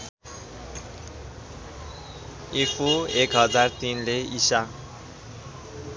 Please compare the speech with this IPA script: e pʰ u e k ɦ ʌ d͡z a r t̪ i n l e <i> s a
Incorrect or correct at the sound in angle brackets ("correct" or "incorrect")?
correct